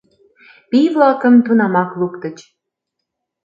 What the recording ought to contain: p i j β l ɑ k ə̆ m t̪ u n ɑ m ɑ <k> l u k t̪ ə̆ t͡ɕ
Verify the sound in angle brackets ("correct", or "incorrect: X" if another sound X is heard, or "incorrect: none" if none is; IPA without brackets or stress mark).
correct